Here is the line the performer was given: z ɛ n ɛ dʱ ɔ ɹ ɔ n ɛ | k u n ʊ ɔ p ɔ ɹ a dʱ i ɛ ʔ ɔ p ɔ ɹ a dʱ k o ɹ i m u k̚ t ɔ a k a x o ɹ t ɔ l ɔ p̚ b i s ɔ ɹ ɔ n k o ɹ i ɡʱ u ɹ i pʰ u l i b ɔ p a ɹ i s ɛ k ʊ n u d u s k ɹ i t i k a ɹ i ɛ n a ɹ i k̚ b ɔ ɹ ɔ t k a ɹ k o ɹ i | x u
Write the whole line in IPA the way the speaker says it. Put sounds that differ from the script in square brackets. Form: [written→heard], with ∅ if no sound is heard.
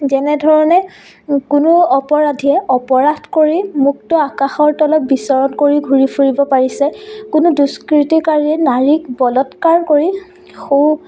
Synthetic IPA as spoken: z ɛ n ɛ dʱ ɔ ɹ ɔ n ɛ | k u n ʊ ɔ p ɔ ɹ a dʱ i ɛ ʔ ɔ p ɔ ɹ a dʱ k o ɹ i m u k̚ t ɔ a k a x [o→ɔ] ɹ t ɔ l ɔ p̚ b i s ɔ ɹ ɔ n k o ɹ i ɡʱ u ɹ i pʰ u [l→ɹ] i b ɔ p a ɹ i s ɛ k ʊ n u d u s k ɹ i t i k a ɹ i ɛ n a ɹ i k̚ b ɔ [ɹ→l] ɔ t k a ɹ k o ɹ i | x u